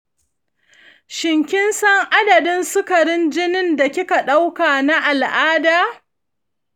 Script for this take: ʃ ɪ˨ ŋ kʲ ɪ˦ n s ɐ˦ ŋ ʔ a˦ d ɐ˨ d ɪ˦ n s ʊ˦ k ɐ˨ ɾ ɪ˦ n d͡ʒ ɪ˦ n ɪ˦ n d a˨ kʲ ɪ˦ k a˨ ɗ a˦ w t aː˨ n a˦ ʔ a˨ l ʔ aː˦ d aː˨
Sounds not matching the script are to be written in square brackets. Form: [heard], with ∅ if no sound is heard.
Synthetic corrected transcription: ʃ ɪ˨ ŋ kʲ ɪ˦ n s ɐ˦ ŋ ʔ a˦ d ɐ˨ d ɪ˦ n s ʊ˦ k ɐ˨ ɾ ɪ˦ n d͡ʒ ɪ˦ n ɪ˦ n d a˨ kʲ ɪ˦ k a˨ ɗ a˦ w [k] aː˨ n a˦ ʔ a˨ l ʔ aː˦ d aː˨